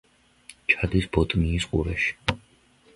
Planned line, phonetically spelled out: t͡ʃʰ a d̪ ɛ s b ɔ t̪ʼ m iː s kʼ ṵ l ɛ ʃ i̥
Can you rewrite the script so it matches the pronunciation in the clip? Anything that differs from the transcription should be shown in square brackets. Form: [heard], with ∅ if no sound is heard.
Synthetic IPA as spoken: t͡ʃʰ a d̪ [i] s b ɔ t̪ʼ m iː s [qʼ] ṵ [ɾ] ɛ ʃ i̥